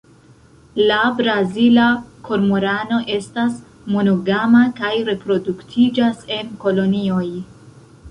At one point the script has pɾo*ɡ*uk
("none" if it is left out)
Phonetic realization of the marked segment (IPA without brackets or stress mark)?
d